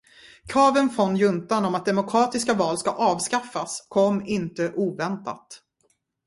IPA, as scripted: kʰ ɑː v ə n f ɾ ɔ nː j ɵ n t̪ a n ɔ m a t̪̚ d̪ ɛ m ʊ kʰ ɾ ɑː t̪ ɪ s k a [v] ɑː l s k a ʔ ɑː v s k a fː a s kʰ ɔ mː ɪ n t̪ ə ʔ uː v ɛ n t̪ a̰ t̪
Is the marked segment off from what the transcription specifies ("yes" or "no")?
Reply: no